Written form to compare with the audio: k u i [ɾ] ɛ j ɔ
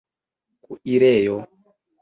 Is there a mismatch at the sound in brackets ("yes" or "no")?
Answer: no